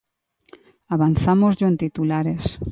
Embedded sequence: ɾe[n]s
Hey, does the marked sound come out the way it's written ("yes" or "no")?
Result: no